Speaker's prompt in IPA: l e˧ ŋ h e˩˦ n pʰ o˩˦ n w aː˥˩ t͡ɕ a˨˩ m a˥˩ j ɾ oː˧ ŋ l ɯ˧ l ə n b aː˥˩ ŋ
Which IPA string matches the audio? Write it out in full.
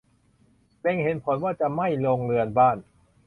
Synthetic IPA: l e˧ ŋ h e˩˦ n pʰ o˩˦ n w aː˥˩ t͡ɕ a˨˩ m a˥˩ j l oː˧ ŋ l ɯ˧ ə n b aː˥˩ n